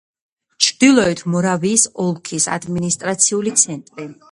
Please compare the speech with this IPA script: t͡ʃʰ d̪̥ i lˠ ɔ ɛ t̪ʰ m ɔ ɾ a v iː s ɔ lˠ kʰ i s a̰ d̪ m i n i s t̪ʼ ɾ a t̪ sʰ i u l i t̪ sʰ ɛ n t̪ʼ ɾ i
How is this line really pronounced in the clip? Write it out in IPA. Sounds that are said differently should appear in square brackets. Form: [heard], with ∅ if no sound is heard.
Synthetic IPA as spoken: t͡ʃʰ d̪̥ i lˠ ɔ ɛ t̪ʰ m ɔ ɾ a v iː s ɔ lˠ kʰ i s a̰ d̪ m i n i s t̪ʼ ɾ a t̪ sʰ i u l i t̪ sʰ ɛ n t̪ʼ ɾ i